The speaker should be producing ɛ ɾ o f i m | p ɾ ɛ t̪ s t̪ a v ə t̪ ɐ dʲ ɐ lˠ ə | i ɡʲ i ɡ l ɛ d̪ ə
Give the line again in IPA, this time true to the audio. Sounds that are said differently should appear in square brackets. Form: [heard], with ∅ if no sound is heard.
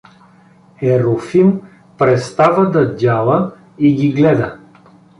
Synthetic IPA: ɛ ɾ o f i m | p ɾ ɛ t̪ s t̪ a v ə [d̪] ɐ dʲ [a] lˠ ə | i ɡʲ i ɡ l ɛ d̪ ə